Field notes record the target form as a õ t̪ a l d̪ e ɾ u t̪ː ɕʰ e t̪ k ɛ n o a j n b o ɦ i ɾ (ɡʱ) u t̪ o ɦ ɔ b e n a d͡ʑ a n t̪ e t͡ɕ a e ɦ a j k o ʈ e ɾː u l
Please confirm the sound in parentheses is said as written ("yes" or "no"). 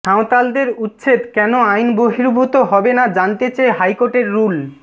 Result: no